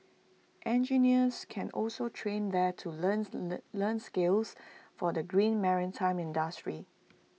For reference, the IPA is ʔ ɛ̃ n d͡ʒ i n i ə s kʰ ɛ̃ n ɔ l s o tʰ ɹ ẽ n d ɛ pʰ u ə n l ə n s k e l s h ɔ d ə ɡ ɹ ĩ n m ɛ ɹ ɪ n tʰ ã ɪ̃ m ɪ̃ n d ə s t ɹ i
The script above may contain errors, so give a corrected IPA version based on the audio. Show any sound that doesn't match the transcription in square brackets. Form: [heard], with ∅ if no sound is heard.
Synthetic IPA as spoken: ʔ ɛ̃ n d͡ʒ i n i ə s kʰ ɛ̃ n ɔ l s o tʰ ɹ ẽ n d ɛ [tʰ] u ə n l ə n s k e l s [f] ɔ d ə ɡ ɹ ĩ n m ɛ ɹ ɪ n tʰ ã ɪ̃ m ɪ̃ n d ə s t ɹ i